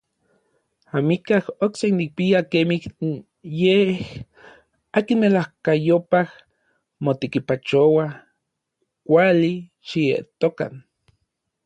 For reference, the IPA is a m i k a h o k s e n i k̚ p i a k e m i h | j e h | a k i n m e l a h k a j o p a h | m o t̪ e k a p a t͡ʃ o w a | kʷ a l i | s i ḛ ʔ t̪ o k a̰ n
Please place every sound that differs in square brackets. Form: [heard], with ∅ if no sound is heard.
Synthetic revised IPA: a m i k a h o k s e n i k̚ p i a k e m i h | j e h | a k i n m e l a h k a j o p a h | m o t̪ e k [i] p a t͡ʃ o w a | kʷ a l i | [ʃ] i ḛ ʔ t̪ o k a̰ n